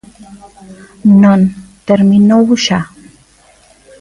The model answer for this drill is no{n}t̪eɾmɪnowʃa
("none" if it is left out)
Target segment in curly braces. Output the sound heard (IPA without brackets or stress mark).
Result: n